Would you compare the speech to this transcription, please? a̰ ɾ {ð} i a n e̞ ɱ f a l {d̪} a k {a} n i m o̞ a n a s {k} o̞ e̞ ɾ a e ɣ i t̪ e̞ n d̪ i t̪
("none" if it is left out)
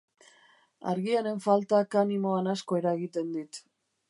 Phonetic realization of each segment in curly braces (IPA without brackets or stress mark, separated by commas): ɣ, t̪, a, k